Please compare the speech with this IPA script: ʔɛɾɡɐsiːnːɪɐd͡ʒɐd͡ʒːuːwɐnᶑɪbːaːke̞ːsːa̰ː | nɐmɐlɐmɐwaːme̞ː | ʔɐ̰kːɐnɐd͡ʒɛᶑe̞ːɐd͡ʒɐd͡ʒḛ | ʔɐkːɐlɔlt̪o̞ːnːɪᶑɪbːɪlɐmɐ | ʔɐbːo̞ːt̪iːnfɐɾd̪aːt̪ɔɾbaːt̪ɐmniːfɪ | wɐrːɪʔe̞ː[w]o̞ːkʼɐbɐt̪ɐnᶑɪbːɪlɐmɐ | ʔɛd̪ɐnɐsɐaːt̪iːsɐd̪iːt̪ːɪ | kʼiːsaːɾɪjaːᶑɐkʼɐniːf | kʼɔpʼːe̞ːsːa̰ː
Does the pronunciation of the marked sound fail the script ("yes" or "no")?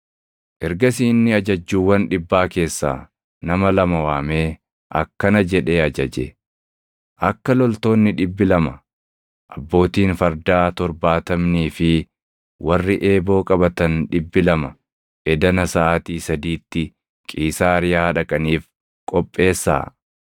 yes